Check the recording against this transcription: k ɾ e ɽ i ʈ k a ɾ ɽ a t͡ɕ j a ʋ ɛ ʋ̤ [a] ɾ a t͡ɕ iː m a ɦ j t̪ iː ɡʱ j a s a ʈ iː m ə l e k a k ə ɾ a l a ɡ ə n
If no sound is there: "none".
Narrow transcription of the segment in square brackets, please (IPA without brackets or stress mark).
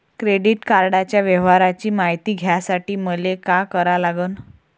a